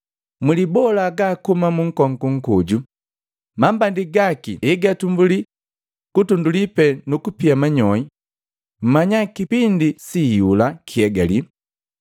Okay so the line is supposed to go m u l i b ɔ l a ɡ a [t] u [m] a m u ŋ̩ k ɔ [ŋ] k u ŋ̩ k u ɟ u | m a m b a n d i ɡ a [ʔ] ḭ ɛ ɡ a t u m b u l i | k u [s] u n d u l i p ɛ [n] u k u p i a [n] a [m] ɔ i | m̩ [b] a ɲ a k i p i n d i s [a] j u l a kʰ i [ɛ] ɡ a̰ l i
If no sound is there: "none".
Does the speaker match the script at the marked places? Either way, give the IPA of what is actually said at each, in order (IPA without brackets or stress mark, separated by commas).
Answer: k, m, ŋ, k, t, n, m, ɲ, m, i, ɛ